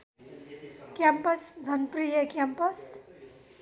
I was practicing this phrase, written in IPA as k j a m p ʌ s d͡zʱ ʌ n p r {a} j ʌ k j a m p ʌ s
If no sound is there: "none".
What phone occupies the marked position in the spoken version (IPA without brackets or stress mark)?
i